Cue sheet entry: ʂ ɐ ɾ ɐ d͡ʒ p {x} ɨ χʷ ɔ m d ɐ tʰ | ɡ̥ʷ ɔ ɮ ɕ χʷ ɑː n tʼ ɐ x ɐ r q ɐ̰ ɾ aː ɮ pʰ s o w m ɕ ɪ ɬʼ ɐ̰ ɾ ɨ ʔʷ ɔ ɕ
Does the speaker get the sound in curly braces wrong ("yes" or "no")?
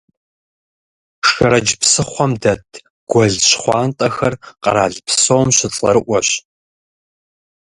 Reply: yes